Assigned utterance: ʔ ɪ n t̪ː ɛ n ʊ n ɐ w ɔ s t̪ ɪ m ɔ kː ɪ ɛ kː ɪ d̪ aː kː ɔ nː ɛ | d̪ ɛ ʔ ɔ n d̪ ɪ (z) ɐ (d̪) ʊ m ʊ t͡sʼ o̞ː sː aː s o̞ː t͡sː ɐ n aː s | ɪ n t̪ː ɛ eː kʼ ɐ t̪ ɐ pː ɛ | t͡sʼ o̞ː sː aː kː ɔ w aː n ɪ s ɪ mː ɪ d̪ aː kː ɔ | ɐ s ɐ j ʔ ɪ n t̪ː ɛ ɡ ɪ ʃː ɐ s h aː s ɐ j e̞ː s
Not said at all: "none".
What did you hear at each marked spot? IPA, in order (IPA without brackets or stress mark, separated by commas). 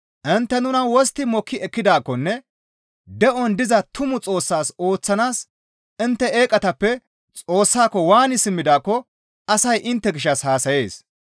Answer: z, t̪